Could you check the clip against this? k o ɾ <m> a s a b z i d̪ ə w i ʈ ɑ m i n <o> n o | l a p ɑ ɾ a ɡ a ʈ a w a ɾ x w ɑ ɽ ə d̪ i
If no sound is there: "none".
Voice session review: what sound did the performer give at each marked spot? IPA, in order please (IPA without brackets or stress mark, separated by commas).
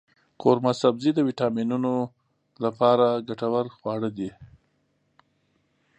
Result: m, u